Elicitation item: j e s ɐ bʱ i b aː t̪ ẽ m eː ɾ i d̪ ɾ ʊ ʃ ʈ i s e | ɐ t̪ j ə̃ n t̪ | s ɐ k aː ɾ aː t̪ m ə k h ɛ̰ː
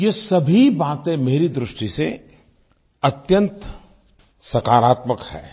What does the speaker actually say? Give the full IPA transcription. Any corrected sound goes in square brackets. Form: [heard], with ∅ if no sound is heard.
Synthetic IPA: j e s ɐ bʱ i b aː t̪ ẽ m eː ɾ i d̪ ɾ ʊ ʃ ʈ i s e | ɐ t̪ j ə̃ n t̪ | s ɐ k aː ɾ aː t̪ m ə k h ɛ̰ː